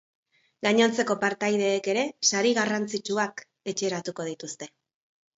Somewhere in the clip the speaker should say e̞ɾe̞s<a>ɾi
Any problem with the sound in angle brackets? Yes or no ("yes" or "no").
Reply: no